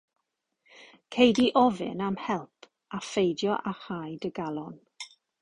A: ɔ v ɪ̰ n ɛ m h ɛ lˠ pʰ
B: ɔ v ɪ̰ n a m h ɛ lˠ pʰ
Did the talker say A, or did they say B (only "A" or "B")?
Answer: B